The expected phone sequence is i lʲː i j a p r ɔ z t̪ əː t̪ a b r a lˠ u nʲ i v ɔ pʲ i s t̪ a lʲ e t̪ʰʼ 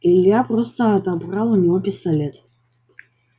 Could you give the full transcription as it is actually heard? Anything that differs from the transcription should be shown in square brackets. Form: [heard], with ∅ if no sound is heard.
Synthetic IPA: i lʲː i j a p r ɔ [s] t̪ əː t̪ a b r a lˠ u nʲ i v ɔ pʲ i s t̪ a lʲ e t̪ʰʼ